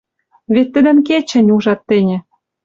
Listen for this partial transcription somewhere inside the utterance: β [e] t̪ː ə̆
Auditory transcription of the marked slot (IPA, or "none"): e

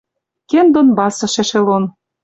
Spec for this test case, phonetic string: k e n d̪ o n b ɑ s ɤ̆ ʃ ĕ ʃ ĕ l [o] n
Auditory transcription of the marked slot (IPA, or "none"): o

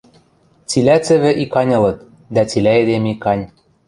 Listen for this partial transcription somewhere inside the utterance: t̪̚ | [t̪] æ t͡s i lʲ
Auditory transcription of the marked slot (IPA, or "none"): d̪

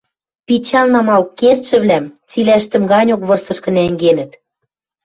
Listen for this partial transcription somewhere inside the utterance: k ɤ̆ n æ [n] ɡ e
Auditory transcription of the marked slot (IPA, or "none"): ŋ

